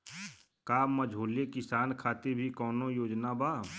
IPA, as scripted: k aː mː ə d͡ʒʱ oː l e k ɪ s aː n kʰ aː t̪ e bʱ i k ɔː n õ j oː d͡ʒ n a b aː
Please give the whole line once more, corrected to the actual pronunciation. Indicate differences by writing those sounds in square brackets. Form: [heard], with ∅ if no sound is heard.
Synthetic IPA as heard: k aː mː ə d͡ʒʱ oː l e k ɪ s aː n kʰ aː t̪ e bʱ i k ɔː n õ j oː d͡ʒ n a b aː